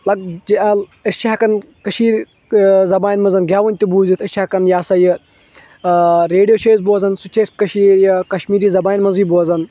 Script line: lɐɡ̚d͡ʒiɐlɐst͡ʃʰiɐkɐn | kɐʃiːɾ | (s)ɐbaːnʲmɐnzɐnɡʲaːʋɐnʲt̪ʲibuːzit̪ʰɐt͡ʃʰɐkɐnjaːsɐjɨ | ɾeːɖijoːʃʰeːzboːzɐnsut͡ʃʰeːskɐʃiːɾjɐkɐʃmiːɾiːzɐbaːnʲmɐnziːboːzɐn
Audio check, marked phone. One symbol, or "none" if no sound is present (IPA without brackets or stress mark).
z